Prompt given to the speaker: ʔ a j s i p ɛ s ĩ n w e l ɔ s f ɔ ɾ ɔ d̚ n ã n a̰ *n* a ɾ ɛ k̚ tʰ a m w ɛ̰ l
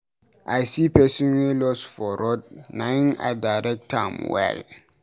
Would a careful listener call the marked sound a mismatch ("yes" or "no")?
yes